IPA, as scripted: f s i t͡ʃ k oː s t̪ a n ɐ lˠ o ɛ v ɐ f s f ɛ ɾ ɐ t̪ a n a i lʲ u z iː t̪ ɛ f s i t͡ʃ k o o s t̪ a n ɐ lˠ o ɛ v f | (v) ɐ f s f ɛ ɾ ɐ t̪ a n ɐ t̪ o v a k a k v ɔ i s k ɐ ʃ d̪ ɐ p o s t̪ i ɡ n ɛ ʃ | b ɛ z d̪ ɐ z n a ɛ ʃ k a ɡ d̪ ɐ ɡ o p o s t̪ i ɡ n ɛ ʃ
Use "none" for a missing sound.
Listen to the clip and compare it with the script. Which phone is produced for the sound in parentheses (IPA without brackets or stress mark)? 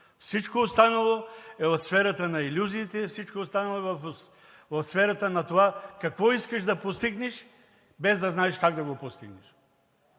v